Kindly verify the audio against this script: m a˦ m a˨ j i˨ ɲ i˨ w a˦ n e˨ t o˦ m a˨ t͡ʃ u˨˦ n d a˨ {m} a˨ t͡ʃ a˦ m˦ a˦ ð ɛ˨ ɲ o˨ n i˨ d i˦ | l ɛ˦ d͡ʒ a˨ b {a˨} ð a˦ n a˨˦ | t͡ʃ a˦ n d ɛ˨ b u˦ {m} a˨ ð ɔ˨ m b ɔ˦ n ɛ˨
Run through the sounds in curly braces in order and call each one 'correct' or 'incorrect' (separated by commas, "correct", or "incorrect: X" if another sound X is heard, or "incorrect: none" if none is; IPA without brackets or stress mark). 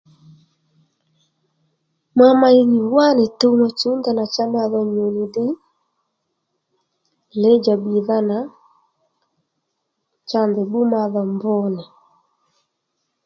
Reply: incorrect: n, incorrect: i˨, correct